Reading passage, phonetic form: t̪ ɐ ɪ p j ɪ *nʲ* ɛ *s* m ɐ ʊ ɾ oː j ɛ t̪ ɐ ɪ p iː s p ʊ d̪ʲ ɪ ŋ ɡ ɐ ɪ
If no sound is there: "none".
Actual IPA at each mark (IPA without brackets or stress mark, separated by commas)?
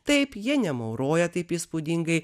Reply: nʲ, none